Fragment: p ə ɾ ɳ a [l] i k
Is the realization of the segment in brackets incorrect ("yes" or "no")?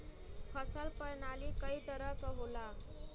no